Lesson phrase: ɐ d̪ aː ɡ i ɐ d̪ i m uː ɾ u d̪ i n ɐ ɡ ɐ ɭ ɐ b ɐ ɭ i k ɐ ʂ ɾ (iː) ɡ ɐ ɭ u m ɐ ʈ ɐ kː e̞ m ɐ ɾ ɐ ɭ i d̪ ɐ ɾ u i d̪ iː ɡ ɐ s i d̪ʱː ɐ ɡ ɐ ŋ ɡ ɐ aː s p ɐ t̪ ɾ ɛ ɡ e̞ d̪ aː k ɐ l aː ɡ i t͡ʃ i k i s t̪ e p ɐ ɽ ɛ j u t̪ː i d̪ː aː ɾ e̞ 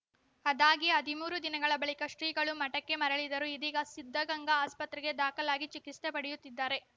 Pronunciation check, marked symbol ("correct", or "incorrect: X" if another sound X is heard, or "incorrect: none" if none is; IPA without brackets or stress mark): correct